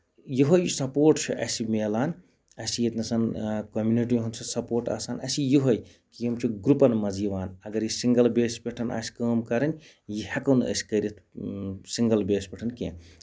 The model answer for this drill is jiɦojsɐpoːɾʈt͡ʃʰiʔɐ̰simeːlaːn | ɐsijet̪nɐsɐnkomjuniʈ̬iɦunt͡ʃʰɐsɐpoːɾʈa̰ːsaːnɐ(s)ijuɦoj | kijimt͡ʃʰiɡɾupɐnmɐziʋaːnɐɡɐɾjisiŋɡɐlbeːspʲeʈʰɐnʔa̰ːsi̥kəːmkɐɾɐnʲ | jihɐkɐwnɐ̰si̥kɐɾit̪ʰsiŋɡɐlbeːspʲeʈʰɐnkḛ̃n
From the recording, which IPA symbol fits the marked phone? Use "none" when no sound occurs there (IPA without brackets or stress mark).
s